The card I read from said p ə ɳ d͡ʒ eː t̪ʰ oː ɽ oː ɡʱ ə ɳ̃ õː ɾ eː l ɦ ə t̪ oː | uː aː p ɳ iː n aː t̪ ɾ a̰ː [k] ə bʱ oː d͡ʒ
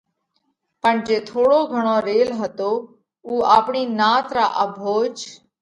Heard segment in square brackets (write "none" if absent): ʔ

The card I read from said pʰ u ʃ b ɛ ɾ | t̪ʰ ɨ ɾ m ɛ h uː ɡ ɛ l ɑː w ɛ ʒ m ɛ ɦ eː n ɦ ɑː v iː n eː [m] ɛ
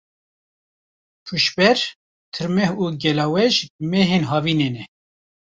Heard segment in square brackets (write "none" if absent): n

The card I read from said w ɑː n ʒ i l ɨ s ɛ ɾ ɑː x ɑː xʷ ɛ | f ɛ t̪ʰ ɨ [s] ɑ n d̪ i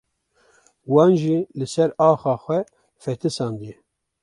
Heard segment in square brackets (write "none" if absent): s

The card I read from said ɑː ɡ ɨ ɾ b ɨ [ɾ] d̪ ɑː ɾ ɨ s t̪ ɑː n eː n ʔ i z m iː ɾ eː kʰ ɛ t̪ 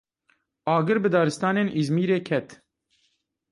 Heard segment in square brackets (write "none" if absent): none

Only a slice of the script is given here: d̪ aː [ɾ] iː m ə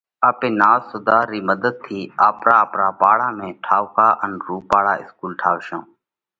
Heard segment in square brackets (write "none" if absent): ɾ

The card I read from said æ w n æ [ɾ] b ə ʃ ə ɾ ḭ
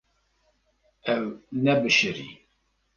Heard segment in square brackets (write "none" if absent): none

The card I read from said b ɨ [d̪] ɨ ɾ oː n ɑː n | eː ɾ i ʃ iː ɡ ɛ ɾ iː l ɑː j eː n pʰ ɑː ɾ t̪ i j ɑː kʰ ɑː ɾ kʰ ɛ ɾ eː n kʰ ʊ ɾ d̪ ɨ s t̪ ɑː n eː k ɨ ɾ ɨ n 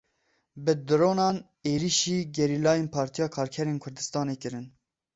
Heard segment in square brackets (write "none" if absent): d̪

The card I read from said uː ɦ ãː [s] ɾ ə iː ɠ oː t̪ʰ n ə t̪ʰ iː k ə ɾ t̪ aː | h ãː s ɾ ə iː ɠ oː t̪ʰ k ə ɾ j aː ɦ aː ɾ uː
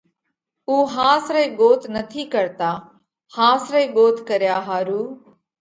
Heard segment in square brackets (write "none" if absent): s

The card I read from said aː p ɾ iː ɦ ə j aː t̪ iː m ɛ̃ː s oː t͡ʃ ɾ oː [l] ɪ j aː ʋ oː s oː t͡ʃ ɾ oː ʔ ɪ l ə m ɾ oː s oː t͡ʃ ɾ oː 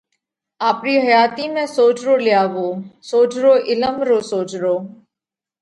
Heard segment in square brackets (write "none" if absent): l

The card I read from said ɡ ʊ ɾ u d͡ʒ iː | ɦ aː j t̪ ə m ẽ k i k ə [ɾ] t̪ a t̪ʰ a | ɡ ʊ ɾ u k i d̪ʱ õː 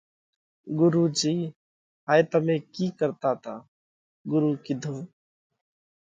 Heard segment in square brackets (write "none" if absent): ɾ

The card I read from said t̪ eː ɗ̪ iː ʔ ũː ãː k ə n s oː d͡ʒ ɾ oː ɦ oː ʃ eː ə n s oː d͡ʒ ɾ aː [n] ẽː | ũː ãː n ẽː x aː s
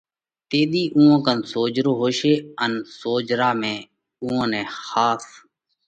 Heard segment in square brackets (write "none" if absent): m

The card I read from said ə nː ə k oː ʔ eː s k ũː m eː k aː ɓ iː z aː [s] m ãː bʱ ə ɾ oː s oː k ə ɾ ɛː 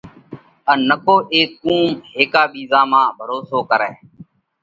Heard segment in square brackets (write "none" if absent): none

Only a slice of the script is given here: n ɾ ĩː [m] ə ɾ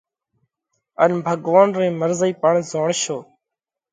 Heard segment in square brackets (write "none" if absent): m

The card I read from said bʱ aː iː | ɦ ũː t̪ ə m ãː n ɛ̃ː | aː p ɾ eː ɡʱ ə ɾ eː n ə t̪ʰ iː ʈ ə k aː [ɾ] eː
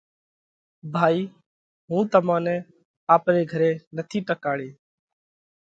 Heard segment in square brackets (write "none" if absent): ɽ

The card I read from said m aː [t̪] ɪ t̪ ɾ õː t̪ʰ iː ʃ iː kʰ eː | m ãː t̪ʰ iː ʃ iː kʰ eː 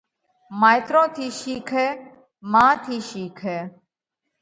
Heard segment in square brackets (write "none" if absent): none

